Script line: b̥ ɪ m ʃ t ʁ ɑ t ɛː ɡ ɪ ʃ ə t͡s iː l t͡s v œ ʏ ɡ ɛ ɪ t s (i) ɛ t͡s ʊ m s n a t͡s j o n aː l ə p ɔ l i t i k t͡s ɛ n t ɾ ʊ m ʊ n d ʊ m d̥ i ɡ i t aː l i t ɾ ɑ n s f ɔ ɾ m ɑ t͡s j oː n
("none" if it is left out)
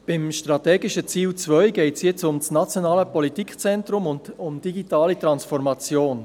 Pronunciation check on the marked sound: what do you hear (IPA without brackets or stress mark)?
j